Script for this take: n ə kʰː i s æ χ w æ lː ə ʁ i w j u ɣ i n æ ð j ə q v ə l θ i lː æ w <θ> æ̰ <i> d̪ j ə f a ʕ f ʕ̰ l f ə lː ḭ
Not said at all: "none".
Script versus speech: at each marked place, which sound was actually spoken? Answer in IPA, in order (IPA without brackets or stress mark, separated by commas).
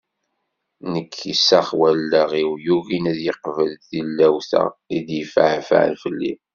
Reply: θ, i